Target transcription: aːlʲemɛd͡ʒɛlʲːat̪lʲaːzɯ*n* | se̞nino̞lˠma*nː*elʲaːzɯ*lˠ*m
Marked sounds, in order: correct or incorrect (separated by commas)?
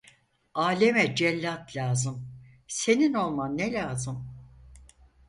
incorrect, correct, incorrect